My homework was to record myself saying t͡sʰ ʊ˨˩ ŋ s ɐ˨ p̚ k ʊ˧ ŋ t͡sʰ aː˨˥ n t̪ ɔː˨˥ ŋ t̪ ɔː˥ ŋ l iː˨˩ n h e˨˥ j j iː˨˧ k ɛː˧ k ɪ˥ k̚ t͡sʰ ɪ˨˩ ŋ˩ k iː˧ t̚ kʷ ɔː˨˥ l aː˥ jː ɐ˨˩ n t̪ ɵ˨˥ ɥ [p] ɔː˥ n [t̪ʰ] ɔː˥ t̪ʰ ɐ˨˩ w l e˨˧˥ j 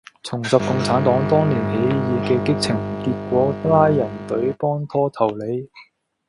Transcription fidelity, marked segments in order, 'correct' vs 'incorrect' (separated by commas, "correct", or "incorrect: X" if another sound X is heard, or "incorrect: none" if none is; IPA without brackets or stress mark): correct, correct